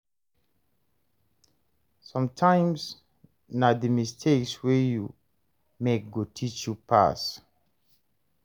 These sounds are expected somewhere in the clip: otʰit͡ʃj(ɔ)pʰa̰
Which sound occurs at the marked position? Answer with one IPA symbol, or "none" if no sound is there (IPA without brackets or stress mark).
u